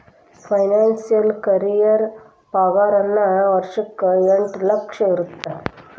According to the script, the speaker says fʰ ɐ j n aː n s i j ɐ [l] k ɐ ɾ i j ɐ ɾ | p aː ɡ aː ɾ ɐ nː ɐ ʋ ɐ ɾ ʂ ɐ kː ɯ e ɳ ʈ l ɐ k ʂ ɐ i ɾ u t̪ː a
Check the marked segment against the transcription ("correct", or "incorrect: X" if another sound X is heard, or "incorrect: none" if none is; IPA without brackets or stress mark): correct